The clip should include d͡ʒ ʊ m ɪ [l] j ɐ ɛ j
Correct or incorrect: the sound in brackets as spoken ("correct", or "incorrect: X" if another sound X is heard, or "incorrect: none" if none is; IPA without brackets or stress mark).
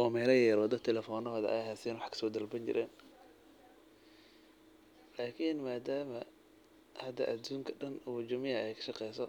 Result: incorrect: none